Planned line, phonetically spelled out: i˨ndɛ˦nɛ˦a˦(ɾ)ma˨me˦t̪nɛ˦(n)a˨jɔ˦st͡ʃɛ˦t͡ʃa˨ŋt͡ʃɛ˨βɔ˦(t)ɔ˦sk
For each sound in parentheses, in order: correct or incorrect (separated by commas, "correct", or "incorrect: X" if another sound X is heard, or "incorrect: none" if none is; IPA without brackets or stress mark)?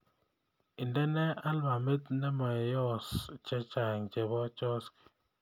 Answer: incorrect: l, incorrect: m, incorrect: t͡ʃ